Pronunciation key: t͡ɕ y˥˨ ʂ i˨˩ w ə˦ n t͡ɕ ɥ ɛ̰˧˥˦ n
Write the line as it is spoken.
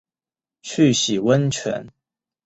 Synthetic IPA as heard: t͡ɕʰ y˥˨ ɕ i˨˩ w ə˦ n t͡ɕʰ ɥ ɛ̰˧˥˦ n